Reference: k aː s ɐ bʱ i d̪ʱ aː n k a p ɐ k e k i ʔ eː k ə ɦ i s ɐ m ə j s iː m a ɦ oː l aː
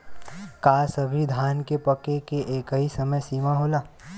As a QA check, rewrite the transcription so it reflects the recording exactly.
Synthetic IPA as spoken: k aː s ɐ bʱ i d̪ʱ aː n k e p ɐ k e k e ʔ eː k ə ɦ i s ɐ m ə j s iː m a ɦ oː l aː